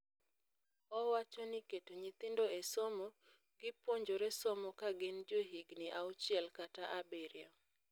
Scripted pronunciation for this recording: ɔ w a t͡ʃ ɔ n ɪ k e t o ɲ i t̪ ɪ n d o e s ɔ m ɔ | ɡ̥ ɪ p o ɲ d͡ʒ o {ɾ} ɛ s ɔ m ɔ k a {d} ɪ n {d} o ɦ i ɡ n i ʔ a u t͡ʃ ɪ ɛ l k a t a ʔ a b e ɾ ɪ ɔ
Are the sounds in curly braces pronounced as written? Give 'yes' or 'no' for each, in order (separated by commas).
yes, no, no